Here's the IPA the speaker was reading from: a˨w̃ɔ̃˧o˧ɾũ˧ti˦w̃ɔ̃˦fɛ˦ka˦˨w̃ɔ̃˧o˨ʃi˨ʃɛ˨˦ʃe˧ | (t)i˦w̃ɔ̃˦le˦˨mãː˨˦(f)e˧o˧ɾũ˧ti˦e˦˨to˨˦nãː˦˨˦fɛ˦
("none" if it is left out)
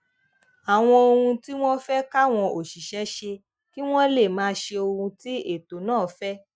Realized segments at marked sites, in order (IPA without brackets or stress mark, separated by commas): k, ʃ